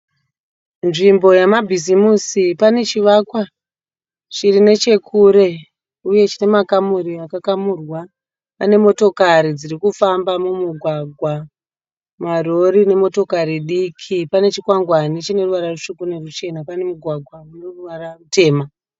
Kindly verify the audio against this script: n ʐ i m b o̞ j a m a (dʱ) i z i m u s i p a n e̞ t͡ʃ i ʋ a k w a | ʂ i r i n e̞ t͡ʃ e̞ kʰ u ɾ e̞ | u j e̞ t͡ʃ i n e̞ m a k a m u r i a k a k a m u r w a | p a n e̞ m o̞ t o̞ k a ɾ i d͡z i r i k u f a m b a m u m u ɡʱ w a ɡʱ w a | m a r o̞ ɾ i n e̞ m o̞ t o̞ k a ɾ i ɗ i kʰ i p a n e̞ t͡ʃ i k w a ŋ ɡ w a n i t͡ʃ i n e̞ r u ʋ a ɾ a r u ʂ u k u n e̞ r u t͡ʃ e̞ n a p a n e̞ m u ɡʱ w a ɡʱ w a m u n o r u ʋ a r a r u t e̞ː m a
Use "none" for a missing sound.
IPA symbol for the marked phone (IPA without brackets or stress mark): bʱ